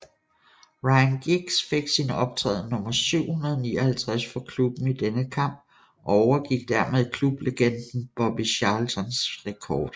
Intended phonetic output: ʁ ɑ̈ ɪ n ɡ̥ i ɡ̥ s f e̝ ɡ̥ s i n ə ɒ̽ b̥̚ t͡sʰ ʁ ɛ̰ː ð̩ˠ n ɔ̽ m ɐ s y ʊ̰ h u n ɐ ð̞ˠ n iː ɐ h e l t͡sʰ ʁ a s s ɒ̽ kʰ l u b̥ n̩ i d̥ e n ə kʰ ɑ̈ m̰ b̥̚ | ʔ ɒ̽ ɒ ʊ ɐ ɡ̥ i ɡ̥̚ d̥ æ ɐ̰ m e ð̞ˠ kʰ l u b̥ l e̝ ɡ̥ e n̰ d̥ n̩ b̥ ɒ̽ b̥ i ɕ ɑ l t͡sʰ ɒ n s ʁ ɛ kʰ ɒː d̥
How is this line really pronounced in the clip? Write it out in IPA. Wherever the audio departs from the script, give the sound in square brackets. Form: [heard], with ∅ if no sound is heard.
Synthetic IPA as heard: ʁ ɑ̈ ɪ n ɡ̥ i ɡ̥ s f e̝ ɡ̥ s i n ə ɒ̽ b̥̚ t͡sʰ ʁ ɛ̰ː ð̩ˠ n ɔ̽ m ɐ s y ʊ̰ h u n ɐ ð̞ˠ n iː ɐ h [æ] l t͡sʰ ʁ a s [f] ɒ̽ kʰ l u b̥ n̩ i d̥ e n ə kʰ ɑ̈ m̰ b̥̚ | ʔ ɒ̽ ɒ ʊ ɐ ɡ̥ i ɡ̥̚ d̥ æ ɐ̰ m e ð̞ˠ kʰ l u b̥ l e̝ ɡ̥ e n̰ d̥ n̩ b̥ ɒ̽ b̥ i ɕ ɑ l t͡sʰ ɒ n s ʁ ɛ kʰ ɒː d̥